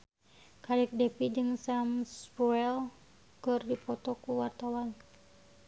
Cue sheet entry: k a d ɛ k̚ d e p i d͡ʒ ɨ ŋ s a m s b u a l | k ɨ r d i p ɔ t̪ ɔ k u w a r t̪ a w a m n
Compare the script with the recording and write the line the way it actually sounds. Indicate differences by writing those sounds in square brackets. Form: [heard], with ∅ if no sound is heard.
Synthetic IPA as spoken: k a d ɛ k̚ d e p i d͡ʒ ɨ ŋ s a m s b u [ɛ] l | k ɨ r d i p ɔ t̪ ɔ k u w a r t̪ a w a [∅] n

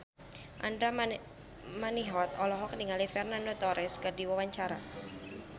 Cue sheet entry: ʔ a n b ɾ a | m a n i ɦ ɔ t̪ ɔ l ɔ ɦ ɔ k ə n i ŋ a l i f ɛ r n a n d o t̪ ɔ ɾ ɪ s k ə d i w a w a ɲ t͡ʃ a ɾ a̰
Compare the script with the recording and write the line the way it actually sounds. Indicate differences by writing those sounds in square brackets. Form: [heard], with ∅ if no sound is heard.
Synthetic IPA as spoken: ʔ a n [d] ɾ a | m a n i ɦ ɔ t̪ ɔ l ɔ ɦ ɔ k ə n i ŋ a l i f ɛ r n a n d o t̪ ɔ ɾ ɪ s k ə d i w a w a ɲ t͡ʃ a ɾ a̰

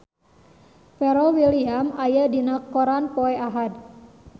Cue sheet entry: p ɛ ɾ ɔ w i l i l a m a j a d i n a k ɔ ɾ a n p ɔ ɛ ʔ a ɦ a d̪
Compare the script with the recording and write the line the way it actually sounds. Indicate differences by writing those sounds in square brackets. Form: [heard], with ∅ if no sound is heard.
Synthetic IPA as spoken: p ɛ ɾ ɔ w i l i [∅] a m a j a d i n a k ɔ ɾ a n p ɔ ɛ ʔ a ɦ a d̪

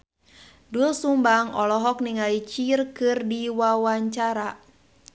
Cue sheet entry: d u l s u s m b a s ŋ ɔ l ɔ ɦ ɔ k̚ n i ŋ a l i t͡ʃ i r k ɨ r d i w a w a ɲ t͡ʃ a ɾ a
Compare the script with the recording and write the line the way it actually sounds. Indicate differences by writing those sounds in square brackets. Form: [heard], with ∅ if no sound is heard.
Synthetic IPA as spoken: d u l s u [∅] m b a [∅] ŋ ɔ l ɔ ɦ ɔ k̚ n i ŋ a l i t͡ʃ i r k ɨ r d i w a w a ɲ t͡ʃ a ɾ a

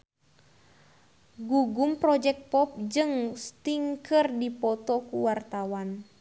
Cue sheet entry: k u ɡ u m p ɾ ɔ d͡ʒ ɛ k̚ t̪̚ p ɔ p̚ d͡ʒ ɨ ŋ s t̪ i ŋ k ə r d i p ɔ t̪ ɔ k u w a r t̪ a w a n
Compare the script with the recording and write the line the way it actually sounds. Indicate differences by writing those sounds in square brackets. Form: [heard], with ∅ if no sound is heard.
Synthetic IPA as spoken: [ɡ] u ɡ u m p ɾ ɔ d͡ʒ ɛ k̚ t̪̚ p ɔ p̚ d͡ʒ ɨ ŋ s t̪ i ŋ k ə r d i p ɔ t̪ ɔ k u w a r t̪ a w a n

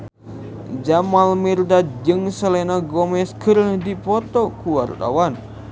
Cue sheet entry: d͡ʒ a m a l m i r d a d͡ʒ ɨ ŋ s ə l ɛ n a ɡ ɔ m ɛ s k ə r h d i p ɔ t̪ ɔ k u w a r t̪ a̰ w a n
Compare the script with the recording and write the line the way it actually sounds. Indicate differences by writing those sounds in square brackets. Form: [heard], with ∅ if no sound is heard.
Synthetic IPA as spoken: d͡ʒ a m a l m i r d a d͡ʒ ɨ ŋ s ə l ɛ n a ɡ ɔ m ɛ s k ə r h d i p ɔ t̪ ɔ k u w a r t̪ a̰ w a n

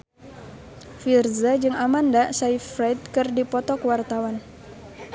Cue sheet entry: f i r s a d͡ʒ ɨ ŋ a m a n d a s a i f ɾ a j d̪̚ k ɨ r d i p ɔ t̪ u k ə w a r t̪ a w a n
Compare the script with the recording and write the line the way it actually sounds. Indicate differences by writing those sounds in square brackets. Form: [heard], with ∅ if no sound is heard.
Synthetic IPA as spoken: f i r [z] a d͡ʒ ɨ ŋ a m a n d a s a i f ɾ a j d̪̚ k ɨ r d i p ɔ t̪ [ɔ] k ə w a r t̪ a w a n

